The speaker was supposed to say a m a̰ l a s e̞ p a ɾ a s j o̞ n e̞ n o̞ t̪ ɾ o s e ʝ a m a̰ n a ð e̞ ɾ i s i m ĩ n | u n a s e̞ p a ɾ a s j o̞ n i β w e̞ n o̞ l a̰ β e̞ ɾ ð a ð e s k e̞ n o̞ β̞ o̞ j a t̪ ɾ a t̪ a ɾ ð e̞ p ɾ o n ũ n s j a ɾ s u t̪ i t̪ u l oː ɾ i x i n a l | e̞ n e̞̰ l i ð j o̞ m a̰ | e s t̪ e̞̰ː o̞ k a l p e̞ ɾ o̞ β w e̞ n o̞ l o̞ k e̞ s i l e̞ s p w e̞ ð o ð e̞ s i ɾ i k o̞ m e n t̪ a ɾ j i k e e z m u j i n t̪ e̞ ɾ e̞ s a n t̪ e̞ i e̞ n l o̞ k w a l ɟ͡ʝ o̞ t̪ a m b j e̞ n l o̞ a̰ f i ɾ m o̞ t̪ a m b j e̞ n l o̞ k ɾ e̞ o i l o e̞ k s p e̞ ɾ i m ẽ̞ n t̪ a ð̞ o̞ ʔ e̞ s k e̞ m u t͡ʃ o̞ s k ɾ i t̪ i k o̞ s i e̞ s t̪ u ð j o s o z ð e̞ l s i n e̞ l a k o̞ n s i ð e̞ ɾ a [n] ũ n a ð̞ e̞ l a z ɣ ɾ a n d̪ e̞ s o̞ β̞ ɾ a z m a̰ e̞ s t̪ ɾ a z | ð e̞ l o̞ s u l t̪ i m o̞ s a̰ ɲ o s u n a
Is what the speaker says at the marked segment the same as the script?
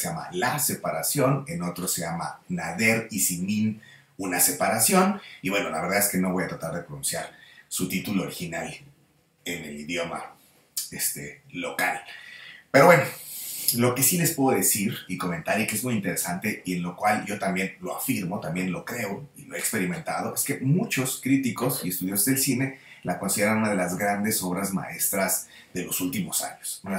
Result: yes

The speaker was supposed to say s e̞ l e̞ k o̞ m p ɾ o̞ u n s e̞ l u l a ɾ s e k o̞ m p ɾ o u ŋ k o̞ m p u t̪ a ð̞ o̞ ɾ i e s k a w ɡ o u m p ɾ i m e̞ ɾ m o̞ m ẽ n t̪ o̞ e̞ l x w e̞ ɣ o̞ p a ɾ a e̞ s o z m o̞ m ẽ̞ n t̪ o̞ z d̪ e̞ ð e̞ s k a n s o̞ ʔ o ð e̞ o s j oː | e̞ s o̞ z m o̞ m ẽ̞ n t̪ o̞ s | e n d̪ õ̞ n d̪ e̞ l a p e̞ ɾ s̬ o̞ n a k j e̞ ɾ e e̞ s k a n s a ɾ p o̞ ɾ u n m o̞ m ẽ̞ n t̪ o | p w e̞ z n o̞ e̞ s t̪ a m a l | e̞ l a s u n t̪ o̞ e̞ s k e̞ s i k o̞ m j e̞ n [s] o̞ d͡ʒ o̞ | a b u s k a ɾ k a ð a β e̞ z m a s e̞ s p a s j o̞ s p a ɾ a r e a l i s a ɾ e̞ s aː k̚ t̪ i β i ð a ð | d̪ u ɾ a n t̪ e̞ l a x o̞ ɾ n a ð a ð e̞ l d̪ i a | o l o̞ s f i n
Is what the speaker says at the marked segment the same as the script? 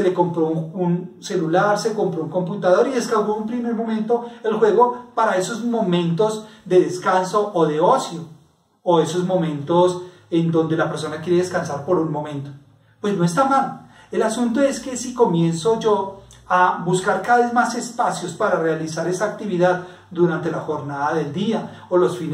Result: yes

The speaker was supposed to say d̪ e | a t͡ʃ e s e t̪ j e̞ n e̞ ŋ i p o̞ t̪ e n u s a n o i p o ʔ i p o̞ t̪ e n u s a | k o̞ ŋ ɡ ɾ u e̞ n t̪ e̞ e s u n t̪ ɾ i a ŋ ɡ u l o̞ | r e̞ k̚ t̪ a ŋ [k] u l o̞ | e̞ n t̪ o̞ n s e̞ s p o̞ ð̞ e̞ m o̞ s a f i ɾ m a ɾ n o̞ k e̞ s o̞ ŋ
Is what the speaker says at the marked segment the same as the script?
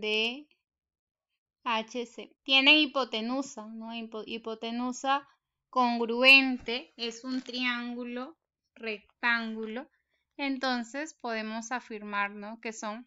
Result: no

